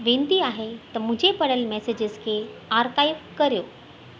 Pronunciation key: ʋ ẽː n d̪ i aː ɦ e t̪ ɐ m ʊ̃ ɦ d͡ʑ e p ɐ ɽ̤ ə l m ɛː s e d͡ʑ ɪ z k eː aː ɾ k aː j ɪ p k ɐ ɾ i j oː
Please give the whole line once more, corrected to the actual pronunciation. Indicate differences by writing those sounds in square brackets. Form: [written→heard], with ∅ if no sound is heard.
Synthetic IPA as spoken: ʋ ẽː n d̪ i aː ɦ e t̪ ɐ m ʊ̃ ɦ d͡ʑ e p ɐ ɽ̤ ə l m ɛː s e d͡ʑ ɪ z [k→kʰ] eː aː ɾ k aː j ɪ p k ɐ ɾ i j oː